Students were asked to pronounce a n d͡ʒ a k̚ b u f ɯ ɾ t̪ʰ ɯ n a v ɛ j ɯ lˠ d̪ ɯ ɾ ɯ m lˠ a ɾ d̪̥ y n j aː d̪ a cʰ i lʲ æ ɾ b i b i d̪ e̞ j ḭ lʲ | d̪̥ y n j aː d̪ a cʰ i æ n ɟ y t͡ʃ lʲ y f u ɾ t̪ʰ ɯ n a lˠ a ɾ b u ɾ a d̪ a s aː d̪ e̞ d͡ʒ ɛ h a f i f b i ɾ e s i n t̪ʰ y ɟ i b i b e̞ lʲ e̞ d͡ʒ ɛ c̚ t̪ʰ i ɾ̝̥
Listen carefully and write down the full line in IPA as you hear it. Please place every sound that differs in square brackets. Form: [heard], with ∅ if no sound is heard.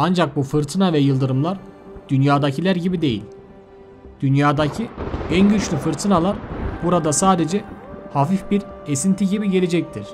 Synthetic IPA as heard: a n d͡ʒ a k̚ b u f ɯ ɾ t̪ʰ ɯ n a v ɛ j ɯ lˠ d̪ ɯ ɾ ɯ m lˠ a ɾ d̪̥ y n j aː d̪ a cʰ i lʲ æ ɾ [ɟ] i b i d̪ e̞ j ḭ lʲ | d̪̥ y n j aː d̪ a cʰ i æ n ɟ y t͡ʃ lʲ y f [ɯ] ɾ t̪ʰ ɯ n a lˠ a ɾ b u ɾ a d̪ a s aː d̪ e̞ d͡ʒ ɛ h a f i f b i ɾ e s i n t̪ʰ [i] ɟ i b i [ɟ] e̞ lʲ e̞ d͡ʒ ɛ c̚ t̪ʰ i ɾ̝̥